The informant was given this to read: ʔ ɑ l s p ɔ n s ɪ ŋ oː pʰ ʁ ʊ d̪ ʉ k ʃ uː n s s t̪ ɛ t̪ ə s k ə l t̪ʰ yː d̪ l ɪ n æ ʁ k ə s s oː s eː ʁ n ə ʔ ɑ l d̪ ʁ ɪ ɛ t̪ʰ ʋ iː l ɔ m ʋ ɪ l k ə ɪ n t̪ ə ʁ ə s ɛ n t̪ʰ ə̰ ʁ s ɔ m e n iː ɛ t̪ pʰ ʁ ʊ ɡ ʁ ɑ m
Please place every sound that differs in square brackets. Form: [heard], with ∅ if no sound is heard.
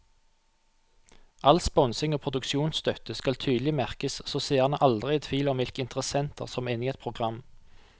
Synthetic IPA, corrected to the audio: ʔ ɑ l s p ɔ n s ɪ ŋ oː pʰ ʁ ʊ d̪ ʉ k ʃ uː n s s t̪ [œ] t̪ ə s k [ɑ] l t̪ʰ yː d̪ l ɪ [m] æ ʁ k ə s s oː s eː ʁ n ə ʔ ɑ l d̪ ʁ ɪ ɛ t̪ʰ ʋ iː l ɔ m ʋ ɪ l k ə ɪ n t̪ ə ʁ ə s ɛ n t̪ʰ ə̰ ʁ s ɔ m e n iː ɛ t̪ pʰ ʁ ʊ ɡ ʁ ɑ m